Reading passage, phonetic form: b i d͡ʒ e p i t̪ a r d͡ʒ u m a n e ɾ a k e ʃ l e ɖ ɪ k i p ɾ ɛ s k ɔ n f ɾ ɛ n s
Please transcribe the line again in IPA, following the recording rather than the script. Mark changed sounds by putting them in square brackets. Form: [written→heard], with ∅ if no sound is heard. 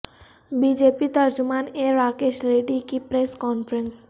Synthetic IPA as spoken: b i d͡ʒ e p i t̪ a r d͡ʒ u m a n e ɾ a k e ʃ l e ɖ [ɪ→i] k i p ɾ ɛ s k ɔ n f ɾ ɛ n s